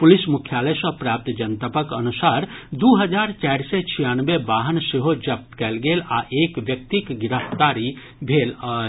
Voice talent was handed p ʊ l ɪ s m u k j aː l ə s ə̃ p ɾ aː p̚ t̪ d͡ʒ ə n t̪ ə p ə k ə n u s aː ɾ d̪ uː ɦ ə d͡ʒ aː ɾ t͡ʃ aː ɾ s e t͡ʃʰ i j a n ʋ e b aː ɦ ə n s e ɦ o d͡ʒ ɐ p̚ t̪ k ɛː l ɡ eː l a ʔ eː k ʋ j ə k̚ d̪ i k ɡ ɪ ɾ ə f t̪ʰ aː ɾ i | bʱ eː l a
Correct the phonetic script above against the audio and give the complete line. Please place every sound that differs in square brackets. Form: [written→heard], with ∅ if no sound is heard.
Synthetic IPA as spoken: p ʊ l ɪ s m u [k→kʰ] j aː l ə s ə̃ p ɾ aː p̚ t̪ d͡ʒ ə n t̪ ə p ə k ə n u s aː ɾ d̪ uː ɦ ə d͡ʒ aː ɾ t͡ʃ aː ɾ s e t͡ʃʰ i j a n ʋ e b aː ɦ ə n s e ɦ o d͡ʒ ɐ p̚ t̪ k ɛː l ɡ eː l a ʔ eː k ʋ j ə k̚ [d̪→t̪] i k ɡ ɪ ɾ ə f [t̪ʰ→t̪] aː ɾ i | bʱ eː l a